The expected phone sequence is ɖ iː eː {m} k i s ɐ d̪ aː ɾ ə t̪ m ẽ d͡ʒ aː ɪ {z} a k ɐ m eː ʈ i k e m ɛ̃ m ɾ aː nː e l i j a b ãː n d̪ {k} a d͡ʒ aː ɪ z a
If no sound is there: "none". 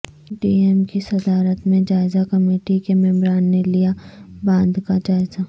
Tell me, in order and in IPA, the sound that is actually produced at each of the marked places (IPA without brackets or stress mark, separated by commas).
m, z, k